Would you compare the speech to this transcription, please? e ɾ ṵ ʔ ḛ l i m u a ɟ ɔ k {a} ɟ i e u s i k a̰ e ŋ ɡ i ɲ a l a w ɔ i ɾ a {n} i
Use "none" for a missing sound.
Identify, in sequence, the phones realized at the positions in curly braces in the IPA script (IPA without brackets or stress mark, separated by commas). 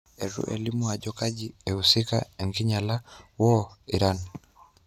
a, n